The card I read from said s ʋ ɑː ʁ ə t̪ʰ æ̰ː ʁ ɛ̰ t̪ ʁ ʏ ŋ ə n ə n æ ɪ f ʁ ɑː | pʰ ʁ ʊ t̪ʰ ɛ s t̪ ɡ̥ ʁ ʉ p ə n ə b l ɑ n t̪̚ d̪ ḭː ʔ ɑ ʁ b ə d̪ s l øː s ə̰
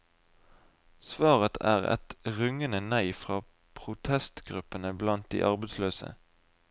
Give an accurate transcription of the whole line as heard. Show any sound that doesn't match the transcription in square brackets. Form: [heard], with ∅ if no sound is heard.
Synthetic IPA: s ʋ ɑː ʁ ə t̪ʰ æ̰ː ʁ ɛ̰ t̪ ʁ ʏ ŋ ə n ə n æ ɪ f ʁ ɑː | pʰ ʁ ʊ t̪ʰ ɛ s t̪ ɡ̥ ʁ ʉ p ə n ə b l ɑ n t̪̚ d̪ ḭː ʔ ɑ ʁ b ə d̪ s l øː s ə̰